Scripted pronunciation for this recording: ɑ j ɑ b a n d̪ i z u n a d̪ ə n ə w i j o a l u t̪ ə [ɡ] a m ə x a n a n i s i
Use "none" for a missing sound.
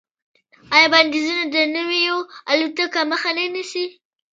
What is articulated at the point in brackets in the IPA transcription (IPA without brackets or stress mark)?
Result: k